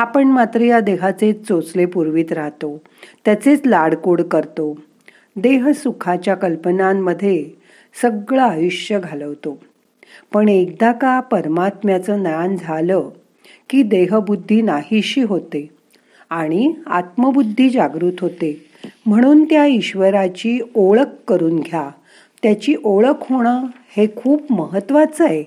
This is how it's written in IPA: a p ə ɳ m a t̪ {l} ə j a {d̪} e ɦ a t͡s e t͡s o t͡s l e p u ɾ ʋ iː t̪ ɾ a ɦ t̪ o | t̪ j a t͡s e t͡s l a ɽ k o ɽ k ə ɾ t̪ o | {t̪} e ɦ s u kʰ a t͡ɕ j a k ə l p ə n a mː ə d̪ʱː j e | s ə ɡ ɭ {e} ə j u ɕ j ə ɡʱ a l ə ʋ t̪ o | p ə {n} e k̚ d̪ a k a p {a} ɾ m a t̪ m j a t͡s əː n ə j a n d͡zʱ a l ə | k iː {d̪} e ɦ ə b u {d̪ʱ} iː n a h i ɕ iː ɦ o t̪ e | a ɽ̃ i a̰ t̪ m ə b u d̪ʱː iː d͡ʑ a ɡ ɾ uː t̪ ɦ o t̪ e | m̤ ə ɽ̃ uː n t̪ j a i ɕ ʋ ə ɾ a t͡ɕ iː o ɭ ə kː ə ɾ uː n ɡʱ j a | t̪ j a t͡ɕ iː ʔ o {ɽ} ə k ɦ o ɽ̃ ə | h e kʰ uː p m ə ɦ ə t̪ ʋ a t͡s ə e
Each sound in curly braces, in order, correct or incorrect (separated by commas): incorrect, correct, incorrect, incorrect, incorrect, incorrect, correct, incorrect, incorrect